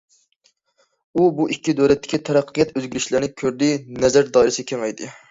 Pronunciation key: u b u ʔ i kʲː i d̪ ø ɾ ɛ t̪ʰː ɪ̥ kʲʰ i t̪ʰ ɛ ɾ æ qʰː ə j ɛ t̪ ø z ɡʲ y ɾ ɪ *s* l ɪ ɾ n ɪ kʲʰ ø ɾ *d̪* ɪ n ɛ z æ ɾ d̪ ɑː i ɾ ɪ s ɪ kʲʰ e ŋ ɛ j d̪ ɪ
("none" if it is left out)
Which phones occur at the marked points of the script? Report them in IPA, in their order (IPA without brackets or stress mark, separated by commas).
ʃ, d̪